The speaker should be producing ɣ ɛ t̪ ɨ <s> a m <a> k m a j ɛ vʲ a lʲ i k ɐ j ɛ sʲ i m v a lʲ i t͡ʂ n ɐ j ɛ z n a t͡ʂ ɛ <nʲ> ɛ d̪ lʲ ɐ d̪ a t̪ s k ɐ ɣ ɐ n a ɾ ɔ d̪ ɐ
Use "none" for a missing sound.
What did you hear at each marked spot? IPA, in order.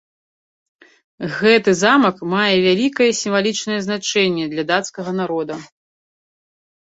z, ɐ, nʲː

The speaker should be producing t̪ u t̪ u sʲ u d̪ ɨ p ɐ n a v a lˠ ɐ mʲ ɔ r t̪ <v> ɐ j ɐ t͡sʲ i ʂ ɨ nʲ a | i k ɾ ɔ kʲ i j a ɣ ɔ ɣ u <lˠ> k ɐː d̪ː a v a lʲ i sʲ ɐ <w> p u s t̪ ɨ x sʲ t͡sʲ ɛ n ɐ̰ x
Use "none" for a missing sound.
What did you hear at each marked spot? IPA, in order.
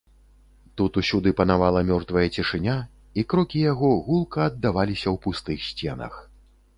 v, lˠ, w

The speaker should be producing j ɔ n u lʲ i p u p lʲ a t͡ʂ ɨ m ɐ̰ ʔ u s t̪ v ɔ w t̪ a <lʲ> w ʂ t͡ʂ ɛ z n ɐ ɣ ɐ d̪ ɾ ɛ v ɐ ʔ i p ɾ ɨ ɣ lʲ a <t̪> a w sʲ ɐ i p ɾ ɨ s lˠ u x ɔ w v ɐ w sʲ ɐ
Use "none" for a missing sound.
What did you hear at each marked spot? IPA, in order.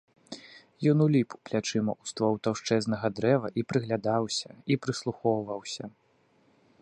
none, d̪

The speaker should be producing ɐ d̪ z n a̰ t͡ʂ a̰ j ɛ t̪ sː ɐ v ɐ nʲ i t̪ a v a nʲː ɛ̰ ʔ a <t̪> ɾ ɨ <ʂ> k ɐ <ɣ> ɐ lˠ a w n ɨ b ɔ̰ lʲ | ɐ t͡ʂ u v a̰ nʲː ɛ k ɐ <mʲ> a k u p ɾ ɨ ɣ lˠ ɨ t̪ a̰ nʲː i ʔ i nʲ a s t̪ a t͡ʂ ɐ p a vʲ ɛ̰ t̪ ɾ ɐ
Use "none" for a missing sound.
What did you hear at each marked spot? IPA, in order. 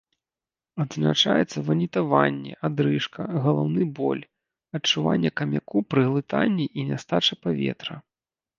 d̪, ʂ, ɣ, mʲ

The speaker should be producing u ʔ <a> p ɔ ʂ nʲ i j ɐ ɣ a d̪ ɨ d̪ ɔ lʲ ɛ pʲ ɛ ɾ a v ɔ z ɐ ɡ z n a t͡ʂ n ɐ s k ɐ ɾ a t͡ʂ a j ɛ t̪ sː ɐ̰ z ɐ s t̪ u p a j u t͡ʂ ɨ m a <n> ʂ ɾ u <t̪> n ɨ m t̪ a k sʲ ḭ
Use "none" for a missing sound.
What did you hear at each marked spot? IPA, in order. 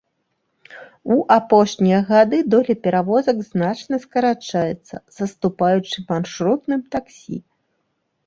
a, n, t̪

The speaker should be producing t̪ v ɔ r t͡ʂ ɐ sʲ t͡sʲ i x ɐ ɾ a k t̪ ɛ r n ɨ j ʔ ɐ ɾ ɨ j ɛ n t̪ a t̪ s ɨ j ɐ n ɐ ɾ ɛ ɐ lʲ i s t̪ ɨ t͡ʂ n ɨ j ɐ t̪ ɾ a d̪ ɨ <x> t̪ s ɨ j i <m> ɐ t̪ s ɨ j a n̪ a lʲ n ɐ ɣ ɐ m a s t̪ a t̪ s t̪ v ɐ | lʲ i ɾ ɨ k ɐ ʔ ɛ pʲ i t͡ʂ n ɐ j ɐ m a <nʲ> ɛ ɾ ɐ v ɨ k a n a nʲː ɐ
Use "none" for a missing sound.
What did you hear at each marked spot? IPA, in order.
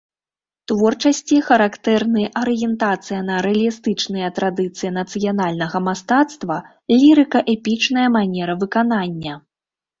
none, n, nʲ

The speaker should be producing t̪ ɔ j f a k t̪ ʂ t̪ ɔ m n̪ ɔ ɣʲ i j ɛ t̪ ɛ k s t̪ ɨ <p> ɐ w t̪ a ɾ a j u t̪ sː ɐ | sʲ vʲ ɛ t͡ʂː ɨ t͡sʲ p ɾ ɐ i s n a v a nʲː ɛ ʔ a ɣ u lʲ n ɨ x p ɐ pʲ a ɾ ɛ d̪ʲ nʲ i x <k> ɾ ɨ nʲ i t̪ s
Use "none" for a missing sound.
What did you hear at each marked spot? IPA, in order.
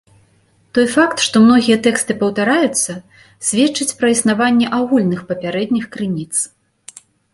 p, k

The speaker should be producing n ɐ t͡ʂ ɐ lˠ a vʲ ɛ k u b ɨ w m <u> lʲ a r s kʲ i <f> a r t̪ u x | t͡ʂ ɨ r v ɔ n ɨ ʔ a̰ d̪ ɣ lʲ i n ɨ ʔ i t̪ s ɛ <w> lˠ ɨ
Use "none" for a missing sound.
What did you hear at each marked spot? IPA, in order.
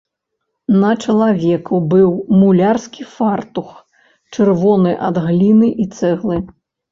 u, f, ɣ

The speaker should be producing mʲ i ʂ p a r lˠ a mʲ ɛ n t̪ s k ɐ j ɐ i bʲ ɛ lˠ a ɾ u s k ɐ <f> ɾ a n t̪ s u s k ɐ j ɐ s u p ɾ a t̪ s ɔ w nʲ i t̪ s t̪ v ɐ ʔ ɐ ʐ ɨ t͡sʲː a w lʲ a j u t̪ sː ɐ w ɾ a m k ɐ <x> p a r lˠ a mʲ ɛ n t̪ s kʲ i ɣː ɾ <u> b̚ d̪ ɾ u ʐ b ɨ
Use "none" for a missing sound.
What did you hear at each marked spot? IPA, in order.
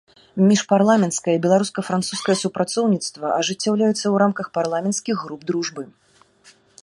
f, x, u

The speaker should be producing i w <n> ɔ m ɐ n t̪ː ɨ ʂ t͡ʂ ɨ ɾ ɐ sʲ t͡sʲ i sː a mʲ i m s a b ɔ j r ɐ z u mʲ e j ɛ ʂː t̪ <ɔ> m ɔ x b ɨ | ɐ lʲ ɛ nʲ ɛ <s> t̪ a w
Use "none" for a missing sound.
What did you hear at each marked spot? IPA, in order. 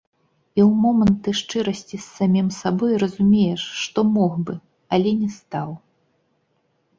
m, ɔ, s

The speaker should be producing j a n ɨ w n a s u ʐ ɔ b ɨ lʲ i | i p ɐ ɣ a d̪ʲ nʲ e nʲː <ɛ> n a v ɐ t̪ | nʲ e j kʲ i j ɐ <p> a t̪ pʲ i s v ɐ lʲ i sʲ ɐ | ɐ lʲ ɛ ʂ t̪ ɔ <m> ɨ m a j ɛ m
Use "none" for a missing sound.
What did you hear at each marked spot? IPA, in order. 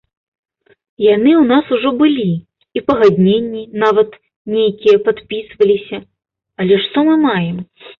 i, p, m

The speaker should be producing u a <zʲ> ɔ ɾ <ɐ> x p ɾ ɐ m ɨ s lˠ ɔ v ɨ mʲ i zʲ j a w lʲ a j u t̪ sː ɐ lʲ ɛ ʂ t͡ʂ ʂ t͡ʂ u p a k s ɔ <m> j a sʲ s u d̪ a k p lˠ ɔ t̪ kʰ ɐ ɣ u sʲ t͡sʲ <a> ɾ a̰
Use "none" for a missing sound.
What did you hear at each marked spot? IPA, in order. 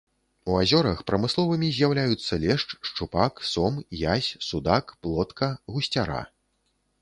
zʲ, ɐ, m, a

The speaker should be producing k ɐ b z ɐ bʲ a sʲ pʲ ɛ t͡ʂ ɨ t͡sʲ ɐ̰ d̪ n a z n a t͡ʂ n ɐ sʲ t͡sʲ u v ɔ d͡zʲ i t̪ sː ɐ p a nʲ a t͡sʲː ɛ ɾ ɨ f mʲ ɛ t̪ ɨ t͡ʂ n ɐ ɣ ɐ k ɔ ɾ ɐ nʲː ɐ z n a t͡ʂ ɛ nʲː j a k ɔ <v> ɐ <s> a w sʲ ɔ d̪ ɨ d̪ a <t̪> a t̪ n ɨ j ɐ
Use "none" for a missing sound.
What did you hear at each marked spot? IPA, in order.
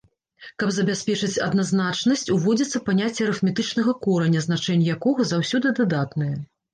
ɣ, z, d̪

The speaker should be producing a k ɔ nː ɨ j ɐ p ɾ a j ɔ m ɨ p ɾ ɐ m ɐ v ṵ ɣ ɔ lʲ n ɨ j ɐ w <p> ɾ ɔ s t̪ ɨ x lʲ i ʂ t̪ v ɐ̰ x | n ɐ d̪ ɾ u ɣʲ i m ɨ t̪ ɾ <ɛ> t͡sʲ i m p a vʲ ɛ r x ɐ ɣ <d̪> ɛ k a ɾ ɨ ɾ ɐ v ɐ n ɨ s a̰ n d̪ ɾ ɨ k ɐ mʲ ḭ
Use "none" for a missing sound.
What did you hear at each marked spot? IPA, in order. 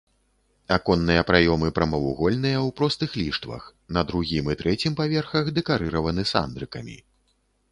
p, ɛ, d̪

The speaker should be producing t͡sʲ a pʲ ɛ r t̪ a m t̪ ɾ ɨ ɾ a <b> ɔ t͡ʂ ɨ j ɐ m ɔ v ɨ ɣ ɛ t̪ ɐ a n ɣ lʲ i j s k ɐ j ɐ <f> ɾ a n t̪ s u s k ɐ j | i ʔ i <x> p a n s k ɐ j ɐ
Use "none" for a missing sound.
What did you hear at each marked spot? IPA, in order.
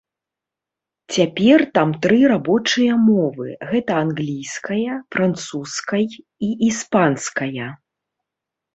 b, f, s

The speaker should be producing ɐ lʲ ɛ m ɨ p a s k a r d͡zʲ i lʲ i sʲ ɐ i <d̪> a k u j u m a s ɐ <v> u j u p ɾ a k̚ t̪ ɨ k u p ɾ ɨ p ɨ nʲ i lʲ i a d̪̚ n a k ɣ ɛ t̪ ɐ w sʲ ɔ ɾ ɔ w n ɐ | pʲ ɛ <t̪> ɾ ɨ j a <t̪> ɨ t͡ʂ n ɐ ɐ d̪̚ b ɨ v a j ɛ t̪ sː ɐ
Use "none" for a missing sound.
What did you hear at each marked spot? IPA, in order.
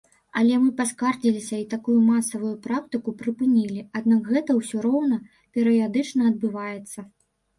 t̪, v, none, d̪

